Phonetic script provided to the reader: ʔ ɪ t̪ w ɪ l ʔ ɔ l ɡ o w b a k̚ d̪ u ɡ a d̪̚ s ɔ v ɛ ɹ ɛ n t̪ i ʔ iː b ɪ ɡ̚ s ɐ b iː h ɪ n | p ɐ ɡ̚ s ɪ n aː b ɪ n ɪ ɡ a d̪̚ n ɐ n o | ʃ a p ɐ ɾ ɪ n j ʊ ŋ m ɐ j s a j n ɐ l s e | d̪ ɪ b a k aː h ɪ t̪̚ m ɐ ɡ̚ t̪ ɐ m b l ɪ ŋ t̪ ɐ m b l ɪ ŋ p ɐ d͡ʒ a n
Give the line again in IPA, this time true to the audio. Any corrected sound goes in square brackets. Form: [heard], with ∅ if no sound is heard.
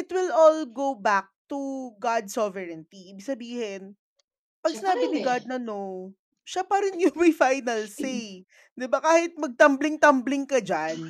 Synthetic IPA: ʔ ɪ t̪ w ɪ l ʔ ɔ l ɡ o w b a k̚ [t̪] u ɡ a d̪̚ s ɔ v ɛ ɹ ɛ n t̪ i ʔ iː b ɪ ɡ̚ s ɐ b iː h ɪ n | p ɐ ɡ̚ s ɪ n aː b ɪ n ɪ ɡ a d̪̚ n ɐ n o | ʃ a p ɐ ɾ ɪ n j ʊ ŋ m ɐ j [f] a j n ɐ l s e | d̪ ɪ b a k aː h ɪ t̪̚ m ɐ ɡ̚ t̪ ɐ m b l ɪ ŋ t̪ ɐ m b l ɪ ŋ [k] ɐ d͡ʒ a n